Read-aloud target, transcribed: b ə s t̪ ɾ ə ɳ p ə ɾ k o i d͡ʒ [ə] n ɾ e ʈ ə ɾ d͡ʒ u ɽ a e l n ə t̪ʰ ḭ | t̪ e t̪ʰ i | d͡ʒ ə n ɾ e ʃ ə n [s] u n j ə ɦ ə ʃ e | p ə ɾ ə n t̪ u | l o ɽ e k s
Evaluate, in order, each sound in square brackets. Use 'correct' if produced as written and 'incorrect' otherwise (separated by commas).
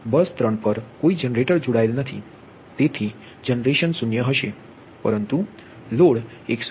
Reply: correct, correct